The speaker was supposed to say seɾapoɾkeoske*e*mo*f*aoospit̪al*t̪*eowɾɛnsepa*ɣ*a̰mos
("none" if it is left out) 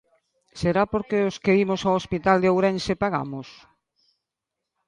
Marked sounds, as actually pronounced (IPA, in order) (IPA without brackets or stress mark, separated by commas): i, s, d̪, ɣ